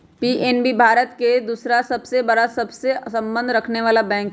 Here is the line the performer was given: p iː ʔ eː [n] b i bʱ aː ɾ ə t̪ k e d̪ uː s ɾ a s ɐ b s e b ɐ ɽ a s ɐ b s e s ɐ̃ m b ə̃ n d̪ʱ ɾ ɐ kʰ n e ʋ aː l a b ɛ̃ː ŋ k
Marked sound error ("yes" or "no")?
no